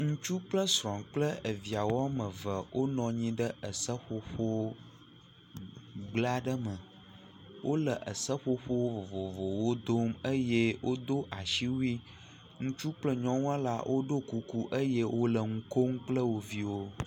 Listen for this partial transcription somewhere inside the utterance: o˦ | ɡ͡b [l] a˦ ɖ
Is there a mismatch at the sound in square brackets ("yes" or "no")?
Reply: no